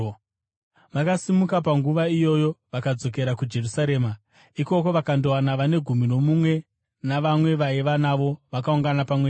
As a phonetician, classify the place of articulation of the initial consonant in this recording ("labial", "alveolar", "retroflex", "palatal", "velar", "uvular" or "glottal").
labial